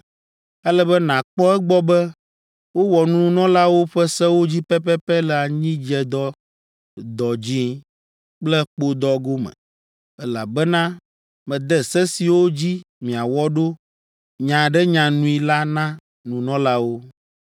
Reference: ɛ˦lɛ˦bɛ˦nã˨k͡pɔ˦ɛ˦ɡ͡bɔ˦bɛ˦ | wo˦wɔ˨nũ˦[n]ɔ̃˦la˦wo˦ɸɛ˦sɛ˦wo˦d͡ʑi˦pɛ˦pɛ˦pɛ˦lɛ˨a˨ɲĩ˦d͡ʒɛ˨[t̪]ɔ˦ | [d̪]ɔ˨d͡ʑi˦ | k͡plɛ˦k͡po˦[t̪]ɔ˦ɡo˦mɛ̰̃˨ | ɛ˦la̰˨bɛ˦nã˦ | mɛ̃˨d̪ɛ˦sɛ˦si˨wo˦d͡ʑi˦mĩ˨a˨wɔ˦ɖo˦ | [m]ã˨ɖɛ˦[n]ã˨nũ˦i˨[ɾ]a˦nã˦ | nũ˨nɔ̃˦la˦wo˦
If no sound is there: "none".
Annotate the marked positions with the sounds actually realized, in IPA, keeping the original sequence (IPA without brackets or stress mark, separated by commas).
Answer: n, d̪, d̪, d̪, ɲ, ɲ, l